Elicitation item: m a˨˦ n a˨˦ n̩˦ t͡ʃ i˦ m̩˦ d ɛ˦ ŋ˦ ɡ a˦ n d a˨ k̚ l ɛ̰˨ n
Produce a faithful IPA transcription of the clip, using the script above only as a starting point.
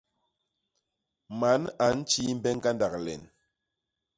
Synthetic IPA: m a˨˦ n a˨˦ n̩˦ t͡ʃ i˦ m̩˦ b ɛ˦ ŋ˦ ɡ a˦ n d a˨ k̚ l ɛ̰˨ n